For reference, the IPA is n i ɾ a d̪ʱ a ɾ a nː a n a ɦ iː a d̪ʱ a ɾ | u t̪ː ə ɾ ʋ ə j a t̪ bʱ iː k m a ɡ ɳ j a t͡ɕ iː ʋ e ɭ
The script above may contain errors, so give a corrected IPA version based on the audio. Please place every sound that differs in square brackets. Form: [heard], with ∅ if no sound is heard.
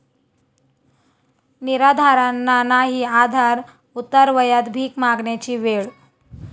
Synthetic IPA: n i ɾ a d̪ʱ a ɾ a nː a n a ɦ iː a d̪ʱ a ɾ | u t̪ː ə ɾ ʋ ə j a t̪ bʱ iː k m a ɡ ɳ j a t͡ɕ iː ʋ e ɭ